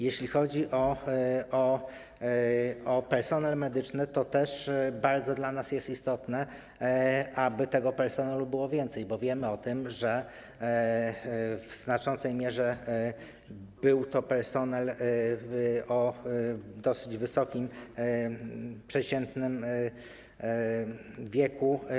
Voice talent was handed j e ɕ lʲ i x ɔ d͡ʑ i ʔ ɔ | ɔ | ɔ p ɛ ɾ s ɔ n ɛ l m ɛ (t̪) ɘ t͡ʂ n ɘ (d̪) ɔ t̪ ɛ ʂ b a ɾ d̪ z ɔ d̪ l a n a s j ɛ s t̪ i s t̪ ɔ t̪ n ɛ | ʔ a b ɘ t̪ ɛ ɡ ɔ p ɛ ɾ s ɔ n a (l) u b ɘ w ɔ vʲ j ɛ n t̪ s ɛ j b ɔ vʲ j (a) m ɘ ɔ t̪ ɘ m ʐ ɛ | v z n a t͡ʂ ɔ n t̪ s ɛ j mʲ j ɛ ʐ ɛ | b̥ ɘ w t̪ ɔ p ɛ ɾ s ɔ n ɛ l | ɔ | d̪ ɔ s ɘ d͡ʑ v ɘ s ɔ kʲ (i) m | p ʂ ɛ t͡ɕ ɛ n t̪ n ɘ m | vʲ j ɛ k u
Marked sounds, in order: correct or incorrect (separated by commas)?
incorrect, incorrect, correct, incorrect, correct